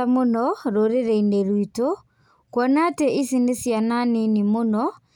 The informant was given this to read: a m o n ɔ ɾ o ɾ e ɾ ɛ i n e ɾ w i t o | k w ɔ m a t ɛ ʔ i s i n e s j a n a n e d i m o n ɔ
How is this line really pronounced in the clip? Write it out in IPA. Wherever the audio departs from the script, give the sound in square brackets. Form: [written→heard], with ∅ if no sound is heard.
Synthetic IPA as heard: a m o n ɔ ɾ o ɾ e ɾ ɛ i n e ɾ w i t o | k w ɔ [m→n] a t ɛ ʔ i s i n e s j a n a n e [d→n] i m o n ɔ